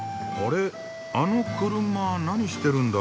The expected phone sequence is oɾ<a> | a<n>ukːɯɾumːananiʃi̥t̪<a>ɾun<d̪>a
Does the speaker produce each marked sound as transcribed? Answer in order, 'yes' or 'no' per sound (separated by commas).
no, yes, no, yes